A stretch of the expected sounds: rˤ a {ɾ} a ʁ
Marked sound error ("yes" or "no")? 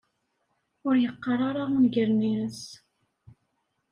no